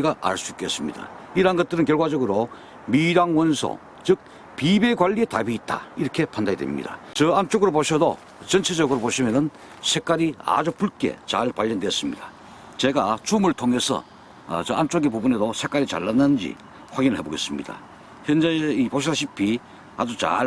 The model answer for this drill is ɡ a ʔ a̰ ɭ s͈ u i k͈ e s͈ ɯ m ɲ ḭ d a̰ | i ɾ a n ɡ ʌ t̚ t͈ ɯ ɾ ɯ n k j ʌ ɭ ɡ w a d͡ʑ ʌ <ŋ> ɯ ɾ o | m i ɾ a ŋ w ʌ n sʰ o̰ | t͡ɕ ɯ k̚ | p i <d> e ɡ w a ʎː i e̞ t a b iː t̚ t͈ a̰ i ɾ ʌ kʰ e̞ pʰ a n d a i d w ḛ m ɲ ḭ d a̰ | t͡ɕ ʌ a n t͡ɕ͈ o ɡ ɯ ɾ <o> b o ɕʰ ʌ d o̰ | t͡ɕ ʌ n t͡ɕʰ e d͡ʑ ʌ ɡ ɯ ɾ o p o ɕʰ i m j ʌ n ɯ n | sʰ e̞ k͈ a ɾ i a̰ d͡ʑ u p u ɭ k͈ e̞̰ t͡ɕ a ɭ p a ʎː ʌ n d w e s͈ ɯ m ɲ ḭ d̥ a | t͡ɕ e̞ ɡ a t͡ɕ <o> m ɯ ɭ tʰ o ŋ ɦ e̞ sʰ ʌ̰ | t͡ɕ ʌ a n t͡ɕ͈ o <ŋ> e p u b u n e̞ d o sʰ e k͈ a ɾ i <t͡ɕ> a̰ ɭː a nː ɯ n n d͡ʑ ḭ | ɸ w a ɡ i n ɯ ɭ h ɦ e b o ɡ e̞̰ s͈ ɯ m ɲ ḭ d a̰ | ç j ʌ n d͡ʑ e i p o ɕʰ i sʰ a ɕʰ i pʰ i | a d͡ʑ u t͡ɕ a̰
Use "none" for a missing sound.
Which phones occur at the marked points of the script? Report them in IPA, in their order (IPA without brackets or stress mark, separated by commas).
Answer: ɡ, b, o, u, ɡ, t͡ɕ